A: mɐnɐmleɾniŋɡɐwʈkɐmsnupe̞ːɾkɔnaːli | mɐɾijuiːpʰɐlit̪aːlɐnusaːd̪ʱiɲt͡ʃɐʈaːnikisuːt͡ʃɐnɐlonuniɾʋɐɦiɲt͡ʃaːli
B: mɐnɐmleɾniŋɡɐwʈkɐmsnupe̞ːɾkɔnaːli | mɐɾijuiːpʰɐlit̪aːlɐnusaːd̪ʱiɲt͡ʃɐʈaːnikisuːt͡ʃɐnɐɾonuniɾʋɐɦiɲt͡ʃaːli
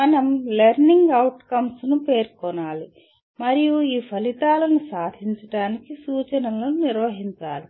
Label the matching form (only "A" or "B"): A